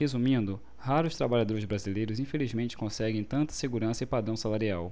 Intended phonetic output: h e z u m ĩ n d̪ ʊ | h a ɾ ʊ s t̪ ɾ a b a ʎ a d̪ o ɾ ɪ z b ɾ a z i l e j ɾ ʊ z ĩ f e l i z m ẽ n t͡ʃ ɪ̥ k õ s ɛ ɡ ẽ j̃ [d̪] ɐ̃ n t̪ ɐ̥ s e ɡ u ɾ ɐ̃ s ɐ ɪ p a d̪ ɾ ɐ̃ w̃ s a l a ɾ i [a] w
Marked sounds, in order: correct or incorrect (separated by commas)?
incorrect, correct